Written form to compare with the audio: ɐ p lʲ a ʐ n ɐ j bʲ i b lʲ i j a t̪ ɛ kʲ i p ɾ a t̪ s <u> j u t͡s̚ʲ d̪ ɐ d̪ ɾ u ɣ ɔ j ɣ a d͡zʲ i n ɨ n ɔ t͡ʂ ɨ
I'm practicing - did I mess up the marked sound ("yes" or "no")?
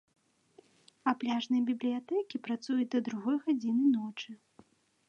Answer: no